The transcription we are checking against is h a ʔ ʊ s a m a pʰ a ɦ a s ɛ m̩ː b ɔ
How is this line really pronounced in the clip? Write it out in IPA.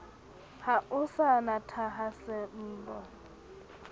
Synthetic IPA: h a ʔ ʊ s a n a tʰ a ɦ a s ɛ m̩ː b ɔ